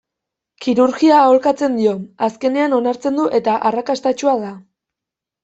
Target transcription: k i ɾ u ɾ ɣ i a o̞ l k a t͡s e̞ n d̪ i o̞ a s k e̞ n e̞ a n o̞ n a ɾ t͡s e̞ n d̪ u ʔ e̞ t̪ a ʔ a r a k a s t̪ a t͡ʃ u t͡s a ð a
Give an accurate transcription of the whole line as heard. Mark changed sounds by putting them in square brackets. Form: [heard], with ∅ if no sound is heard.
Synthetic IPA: k i ɾ u ɾ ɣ i a o̞ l k a t͡s e̞ n d̪ i o̞ a s k e̞ n e̞ a n o̞ n a ɾ t͡s e̞ n d̪ u ʔ e̞ t̪ a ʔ a r a k a s t̪ a t͡ʃ u [∅] a ð a